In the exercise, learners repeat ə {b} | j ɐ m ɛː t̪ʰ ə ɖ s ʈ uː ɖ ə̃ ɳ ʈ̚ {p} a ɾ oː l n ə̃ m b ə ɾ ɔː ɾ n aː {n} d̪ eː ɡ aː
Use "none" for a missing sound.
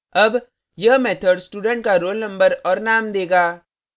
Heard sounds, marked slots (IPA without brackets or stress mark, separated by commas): b, k, m